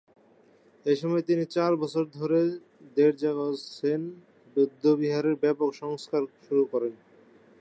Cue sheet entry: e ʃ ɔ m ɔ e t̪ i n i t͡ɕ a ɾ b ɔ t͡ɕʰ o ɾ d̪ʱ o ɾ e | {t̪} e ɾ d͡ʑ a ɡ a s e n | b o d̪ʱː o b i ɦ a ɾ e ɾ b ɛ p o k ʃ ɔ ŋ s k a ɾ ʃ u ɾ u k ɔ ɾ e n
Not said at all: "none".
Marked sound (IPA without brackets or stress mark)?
d̪